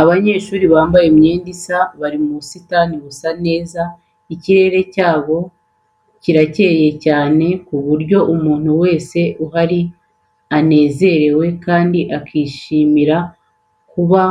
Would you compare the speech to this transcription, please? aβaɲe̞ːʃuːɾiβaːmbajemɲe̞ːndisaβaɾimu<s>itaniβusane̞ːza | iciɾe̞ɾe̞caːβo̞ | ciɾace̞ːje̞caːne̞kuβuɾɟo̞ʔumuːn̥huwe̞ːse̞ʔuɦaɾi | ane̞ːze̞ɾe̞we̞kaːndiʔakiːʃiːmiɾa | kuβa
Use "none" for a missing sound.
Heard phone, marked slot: s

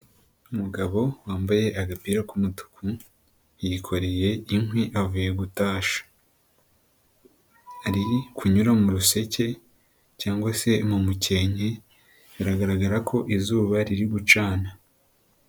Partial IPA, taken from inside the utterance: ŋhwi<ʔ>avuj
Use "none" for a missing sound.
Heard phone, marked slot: ʔ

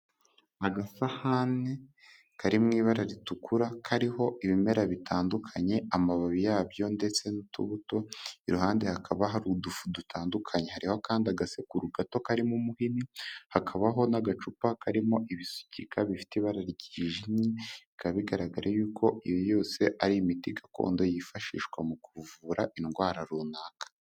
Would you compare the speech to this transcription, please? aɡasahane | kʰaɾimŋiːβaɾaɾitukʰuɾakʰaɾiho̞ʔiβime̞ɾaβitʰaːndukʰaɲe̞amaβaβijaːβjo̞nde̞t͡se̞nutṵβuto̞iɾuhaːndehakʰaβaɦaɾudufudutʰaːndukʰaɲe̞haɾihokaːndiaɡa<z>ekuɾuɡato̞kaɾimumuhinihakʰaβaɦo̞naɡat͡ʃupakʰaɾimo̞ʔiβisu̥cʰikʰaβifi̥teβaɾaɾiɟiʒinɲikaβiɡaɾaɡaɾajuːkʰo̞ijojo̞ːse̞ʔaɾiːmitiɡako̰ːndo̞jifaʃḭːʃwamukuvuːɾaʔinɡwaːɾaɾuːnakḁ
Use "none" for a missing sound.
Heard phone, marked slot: s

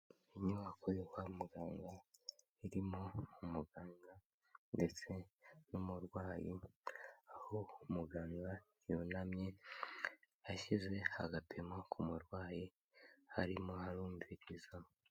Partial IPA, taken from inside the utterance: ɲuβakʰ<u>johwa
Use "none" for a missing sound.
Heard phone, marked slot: o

